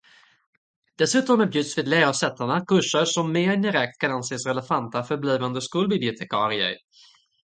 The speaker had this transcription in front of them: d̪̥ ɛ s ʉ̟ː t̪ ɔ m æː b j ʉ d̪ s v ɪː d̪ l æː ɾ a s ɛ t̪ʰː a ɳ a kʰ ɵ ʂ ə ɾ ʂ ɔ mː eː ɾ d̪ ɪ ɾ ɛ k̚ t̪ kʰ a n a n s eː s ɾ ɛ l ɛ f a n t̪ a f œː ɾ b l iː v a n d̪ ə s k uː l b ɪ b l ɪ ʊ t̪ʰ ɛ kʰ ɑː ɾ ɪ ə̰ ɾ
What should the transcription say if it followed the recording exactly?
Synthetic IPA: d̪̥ ɛ s ʉ̟ː t̪ ɔ m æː b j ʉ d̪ s v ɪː d̪ l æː ɾ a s ɛ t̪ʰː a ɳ a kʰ ɵ ʂ ə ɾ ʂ ɔ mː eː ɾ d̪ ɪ ɾ ɛ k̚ t̪ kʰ a n a n s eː s ɾ ɛ l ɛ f a n t̪ a f œ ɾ b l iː v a n d̪ ə s k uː l b ɪ b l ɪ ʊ t̪ʰ ɛ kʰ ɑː ɾ ɪ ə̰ ɾ